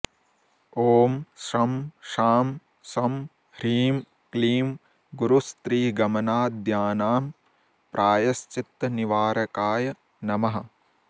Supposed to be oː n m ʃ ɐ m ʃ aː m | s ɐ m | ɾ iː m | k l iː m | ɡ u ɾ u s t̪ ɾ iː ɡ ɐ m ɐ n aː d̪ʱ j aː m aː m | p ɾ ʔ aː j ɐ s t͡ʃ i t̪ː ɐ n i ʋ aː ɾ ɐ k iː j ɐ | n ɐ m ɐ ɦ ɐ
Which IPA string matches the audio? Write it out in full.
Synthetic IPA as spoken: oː m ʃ ɐ m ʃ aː m | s ɐ m | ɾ iː m | k l iː m | ɡ u ɾ u s t̪ ɾ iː ɡ ɐ m ɐ n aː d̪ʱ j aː n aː m | p ɾ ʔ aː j ɐ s t͡ʃ i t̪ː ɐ n i ʋ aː ɾ ɐ k aː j ɐ | n ɐ m ɐ ɦ ɐ